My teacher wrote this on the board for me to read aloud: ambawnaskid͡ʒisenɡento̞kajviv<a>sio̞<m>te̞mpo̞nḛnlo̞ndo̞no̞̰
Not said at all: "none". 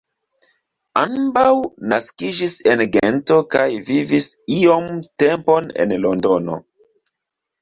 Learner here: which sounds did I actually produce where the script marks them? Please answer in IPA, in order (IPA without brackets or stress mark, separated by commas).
i, m